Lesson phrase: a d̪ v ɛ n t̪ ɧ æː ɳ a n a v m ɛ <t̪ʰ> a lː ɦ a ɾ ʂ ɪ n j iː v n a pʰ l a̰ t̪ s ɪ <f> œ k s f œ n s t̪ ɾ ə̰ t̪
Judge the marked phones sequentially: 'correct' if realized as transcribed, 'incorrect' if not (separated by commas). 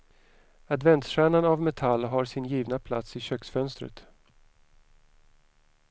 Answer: correct, incorrect